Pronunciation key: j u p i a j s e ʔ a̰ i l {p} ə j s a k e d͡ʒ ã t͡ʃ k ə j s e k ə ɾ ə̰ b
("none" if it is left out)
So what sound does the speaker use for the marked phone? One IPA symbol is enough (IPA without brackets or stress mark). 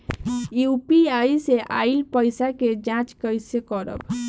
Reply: p